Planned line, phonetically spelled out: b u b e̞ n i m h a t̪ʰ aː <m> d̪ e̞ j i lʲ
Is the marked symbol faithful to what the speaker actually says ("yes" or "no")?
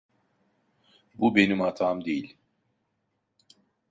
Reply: yes